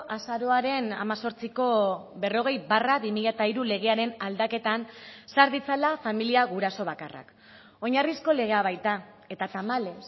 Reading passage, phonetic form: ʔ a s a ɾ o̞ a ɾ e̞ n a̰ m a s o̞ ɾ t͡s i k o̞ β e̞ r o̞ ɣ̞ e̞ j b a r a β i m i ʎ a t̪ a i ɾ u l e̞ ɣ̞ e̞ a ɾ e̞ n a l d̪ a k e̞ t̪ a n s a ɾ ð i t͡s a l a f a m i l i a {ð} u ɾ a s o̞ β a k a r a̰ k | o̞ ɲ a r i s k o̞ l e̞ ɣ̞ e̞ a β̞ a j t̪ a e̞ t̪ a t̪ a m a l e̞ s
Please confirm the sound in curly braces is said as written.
no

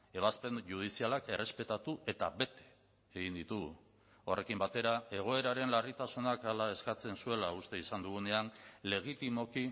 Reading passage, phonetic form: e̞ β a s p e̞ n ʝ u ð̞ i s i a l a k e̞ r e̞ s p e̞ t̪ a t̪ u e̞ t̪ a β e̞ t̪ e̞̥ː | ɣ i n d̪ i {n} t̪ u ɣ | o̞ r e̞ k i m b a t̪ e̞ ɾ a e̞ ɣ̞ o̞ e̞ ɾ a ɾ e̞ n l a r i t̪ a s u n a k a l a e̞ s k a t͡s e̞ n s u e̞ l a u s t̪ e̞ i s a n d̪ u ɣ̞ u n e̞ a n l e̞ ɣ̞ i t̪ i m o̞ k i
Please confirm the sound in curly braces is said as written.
no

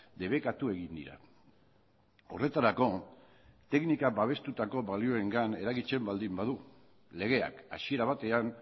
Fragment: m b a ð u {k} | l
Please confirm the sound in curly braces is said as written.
no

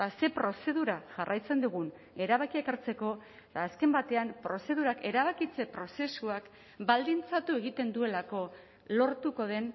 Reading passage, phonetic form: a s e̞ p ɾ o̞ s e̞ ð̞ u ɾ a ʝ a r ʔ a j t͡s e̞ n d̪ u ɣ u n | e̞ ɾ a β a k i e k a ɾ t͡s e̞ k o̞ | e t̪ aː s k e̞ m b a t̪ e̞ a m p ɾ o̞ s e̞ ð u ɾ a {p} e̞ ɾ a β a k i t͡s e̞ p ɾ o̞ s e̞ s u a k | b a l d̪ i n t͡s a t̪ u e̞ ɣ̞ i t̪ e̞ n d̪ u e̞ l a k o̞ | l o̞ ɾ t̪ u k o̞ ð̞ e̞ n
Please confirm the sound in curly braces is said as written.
no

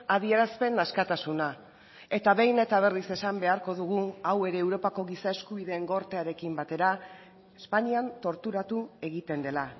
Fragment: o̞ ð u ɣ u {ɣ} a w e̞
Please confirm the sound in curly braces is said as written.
no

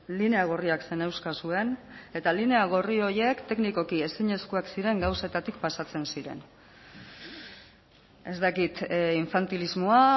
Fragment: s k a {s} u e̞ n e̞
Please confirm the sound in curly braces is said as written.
yes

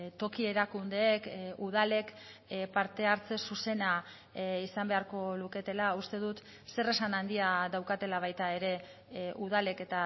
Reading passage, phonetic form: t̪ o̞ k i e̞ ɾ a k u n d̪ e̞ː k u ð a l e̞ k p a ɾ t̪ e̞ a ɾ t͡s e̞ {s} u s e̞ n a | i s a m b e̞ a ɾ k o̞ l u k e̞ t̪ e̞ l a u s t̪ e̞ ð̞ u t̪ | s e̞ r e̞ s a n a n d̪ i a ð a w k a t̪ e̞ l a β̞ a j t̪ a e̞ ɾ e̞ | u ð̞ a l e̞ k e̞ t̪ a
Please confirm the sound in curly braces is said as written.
yes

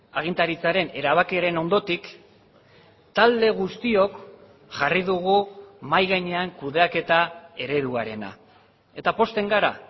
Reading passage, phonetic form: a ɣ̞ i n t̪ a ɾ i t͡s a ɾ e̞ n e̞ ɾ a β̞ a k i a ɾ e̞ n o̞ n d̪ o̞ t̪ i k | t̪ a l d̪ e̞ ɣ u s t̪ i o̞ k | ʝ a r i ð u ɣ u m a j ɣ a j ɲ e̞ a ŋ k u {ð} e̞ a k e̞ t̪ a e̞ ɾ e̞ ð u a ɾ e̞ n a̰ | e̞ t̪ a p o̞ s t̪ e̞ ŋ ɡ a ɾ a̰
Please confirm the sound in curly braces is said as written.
yes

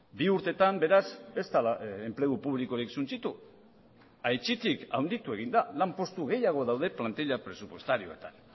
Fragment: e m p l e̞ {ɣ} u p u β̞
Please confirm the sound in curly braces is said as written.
yes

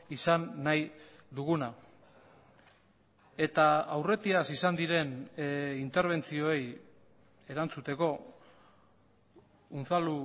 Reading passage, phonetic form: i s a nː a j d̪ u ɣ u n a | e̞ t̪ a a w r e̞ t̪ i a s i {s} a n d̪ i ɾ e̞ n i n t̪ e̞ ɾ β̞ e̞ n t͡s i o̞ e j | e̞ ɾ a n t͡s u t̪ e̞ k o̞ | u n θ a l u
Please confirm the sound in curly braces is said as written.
yes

